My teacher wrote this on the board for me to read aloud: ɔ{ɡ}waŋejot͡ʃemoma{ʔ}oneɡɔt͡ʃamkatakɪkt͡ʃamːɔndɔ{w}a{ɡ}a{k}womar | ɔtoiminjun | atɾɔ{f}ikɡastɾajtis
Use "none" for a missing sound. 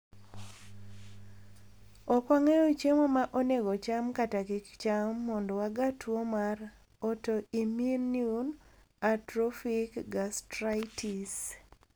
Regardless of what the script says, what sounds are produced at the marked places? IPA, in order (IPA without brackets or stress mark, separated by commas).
k, ʔ, w, ɡ, t, f